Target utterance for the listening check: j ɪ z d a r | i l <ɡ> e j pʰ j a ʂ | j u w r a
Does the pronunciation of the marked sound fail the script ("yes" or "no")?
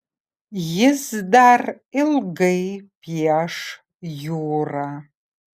no